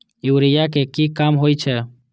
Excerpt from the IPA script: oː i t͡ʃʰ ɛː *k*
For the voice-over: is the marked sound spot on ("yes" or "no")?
no